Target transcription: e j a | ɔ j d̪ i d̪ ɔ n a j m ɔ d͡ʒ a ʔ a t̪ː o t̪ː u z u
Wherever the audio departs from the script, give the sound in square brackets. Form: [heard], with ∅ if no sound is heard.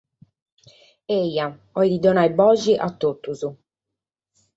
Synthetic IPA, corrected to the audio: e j a | ɔ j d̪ i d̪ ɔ n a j [b] ɔ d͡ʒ [i] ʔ a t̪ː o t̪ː u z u